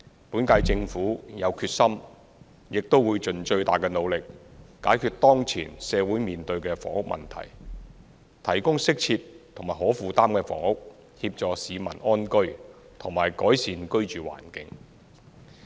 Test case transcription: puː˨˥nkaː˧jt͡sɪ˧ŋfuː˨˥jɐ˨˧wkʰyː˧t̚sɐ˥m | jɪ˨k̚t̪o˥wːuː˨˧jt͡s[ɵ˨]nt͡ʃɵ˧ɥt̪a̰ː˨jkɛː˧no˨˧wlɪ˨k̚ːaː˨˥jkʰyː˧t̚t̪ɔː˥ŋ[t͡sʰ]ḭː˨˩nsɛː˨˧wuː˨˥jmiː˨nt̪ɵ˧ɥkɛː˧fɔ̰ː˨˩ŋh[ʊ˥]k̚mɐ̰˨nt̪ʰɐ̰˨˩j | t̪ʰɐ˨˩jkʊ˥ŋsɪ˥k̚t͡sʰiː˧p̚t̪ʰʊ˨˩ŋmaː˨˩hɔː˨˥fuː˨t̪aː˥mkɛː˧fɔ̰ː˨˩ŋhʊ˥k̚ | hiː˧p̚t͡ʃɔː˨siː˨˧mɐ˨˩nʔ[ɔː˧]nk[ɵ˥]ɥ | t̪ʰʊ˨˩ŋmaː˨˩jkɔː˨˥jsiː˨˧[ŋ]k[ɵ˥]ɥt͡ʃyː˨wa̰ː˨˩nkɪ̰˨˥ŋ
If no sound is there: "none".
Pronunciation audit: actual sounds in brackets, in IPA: ɵ˨, t͡sʰ, ʊ˥, ɔː˥, ɵ˥, n, ɵ˥

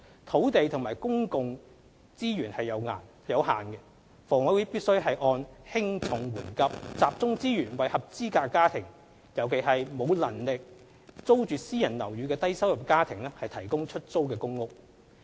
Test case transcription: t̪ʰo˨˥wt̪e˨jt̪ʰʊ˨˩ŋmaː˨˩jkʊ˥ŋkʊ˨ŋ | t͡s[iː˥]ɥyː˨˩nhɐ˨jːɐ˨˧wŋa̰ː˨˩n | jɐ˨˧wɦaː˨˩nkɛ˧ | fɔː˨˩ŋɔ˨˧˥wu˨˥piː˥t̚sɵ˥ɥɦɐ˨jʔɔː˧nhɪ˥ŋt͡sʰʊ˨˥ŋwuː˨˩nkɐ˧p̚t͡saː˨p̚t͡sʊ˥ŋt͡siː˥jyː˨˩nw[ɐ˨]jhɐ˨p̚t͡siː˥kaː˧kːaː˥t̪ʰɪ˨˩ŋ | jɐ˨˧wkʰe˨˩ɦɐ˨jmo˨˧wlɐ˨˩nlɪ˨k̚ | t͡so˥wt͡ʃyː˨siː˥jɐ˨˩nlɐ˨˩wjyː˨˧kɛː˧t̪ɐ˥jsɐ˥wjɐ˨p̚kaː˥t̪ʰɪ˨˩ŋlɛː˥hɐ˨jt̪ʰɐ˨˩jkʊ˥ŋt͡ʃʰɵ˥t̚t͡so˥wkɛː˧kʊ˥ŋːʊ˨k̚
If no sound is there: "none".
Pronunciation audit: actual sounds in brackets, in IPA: iː˥, ɐ˨

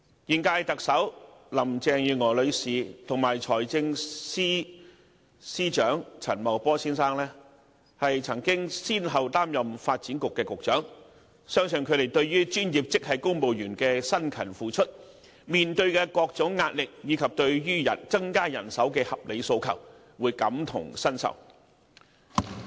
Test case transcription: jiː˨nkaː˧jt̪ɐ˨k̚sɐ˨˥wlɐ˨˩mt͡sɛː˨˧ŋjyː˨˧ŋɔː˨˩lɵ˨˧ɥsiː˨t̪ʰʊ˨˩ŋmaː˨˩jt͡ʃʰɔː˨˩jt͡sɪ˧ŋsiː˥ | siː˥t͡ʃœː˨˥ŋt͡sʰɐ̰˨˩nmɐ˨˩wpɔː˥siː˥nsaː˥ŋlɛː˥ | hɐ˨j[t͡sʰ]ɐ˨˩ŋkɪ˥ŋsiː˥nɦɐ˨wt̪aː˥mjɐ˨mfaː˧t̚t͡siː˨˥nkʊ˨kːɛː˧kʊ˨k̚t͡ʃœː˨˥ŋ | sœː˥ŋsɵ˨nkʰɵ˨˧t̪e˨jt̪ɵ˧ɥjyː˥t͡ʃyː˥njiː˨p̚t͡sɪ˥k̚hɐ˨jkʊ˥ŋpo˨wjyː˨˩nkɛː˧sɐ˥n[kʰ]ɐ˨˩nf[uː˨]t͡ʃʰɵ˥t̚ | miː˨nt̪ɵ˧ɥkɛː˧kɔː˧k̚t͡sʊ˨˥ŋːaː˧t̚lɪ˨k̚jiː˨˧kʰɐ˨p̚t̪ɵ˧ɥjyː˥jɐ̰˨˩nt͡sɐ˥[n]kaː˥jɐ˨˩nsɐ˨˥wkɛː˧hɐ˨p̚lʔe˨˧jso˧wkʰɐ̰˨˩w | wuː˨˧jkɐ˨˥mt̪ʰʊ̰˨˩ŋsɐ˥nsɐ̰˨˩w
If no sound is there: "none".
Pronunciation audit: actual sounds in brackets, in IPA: t͡sʰ, kʰ, uː˨, ŋ

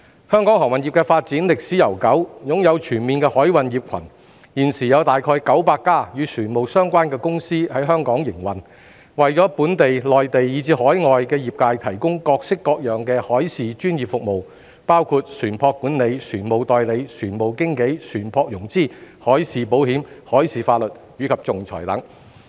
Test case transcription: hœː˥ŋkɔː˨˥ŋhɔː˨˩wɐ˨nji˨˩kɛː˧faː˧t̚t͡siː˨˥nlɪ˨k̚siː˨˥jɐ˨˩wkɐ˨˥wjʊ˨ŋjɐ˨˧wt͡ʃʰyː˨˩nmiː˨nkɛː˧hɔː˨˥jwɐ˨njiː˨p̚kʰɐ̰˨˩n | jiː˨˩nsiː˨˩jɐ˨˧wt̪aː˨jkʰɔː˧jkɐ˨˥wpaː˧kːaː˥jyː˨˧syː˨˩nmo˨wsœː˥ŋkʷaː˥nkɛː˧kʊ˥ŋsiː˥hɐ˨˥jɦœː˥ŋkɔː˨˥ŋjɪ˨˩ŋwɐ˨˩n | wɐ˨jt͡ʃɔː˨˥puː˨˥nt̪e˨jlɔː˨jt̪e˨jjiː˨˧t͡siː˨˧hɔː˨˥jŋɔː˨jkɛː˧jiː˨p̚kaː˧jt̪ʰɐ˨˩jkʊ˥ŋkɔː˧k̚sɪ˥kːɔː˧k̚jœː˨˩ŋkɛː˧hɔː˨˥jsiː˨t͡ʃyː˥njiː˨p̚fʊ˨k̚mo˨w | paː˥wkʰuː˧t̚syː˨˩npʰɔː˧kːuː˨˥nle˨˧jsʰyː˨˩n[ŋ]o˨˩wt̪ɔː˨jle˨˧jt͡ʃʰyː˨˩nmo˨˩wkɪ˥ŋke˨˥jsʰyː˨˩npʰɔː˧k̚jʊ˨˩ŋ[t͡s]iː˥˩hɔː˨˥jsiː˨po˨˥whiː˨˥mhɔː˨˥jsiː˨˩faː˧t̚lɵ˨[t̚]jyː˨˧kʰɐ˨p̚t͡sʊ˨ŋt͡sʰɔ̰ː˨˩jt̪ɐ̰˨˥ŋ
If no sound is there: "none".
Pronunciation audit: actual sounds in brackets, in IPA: m, t͡s, t̚

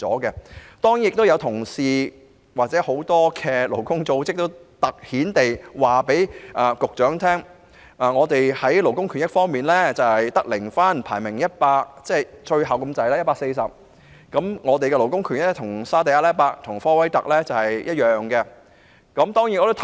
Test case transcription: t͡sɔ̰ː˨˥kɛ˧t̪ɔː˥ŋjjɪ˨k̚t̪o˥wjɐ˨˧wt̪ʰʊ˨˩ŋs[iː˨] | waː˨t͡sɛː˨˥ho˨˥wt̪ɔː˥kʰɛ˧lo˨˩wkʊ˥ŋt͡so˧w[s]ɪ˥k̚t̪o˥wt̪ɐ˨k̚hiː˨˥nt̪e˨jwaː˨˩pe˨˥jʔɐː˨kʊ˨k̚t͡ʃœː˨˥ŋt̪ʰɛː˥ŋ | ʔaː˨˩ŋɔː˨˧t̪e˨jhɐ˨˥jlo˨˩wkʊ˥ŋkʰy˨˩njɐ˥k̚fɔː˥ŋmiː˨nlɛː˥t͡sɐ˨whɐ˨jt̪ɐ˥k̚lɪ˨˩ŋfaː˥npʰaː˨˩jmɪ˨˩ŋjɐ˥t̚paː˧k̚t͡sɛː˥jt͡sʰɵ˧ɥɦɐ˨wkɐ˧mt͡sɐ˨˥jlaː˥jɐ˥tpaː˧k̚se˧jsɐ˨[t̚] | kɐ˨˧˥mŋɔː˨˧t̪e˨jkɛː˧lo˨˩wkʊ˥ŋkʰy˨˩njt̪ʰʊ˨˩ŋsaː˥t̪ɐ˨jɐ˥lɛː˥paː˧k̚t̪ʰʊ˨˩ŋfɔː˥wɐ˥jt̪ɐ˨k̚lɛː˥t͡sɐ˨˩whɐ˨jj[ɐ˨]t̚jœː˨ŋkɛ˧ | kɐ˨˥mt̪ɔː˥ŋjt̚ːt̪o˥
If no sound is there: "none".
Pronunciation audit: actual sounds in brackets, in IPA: iː˨, t͡s, p̚, ɐ˥

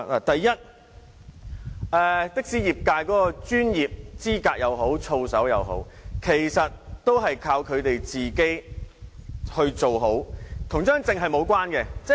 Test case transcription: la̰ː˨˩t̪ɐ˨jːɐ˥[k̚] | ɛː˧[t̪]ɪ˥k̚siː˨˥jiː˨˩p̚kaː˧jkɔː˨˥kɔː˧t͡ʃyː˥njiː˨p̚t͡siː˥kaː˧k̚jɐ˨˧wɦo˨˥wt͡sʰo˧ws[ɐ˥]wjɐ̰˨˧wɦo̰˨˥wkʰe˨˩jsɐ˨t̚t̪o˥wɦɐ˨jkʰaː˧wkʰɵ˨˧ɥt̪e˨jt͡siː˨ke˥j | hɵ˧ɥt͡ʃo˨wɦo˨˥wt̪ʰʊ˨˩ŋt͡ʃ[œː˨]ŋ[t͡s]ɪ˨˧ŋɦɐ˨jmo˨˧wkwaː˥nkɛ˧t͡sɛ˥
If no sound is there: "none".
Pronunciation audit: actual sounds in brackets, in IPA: t̚, t̪, ɐ˨˥, œː˥, t͡s

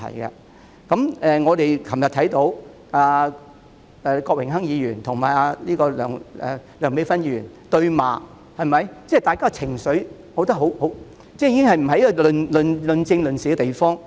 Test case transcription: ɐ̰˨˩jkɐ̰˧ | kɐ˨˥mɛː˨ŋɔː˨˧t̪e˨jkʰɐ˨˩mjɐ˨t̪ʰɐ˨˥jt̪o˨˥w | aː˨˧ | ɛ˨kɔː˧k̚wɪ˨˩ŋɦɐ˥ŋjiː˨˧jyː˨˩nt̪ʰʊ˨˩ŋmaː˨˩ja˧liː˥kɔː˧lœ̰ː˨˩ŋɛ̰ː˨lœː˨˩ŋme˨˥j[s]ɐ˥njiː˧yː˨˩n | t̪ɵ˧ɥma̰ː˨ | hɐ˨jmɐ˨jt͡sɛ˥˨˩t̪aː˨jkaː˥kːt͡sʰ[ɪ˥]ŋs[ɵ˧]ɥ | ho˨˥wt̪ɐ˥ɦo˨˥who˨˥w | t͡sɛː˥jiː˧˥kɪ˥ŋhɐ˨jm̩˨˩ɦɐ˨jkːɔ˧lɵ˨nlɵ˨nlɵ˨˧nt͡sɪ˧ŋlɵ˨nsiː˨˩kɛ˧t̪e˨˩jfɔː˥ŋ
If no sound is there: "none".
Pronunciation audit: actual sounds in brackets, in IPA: f, ɪ˨˩, ɵ˨˥

